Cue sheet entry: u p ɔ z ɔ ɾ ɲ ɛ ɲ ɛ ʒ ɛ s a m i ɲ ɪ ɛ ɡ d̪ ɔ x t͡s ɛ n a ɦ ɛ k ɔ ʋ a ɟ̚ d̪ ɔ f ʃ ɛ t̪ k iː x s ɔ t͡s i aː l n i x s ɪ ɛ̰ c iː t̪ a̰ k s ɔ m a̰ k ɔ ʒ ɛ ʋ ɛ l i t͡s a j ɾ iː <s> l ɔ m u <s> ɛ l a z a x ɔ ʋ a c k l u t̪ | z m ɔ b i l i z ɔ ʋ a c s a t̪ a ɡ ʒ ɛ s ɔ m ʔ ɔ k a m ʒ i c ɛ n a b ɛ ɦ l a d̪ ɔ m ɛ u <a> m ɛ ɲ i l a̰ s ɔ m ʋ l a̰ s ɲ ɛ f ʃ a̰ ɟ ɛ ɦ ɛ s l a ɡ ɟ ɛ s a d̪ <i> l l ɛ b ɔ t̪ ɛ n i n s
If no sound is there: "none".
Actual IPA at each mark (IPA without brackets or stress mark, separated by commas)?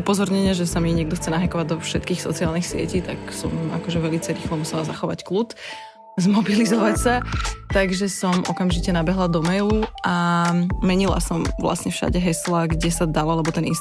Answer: x, s, a, a